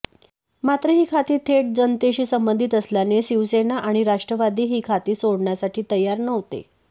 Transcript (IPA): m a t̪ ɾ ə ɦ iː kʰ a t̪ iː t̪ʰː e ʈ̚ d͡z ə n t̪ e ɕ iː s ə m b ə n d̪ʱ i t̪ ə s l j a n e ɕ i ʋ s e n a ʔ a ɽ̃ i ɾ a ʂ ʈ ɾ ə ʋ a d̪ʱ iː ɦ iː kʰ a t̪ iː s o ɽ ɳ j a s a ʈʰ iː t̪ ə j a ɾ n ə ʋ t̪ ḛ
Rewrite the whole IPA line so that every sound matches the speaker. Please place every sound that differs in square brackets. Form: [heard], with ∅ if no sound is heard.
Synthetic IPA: m a t̪ ɾ ə ɦ iː kʰ a t̪ iː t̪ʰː e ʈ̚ d͡z ə n t̪ e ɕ iː s ə m b ə n d̪ʱ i t̪ ə s l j a n e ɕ i ʋ s e n a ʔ a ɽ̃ i ɾ a ʂ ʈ ɾ ə ʋ a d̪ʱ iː ɦ iː kʰ a t̪ iː s o ɽ ɳ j a s a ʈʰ iː t̪ ə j a ɾ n ə ʋ t̪ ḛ